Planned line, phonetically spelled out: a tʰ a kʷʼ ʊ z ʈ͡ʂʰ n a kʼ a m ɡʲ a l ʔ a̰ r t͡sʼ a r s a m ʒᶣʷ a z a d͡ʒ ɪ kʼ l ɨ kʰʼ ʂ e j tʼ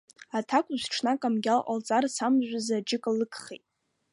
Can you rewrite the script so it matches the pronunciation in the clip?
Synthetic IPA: a tʰ a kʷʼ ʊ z ʈ͡ʂʰ n a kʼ a m ɡʲ a l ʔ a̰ l t͡sʼ a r s a m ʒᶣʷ a z a d͡ʒ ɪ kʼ l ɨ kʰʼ χ e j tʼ